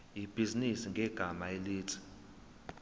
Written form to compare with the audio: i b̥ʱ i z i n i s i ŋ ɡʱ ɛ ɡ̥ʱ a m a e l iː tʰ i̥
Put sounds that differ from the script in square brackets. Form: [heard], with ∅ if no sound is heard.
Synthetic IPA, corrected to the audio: i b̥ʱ i z i n i s i ŋ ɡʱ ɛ ɡ̥ʱ a m a e l iː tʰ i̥